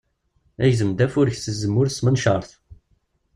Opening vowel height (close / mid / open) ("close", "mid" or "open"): open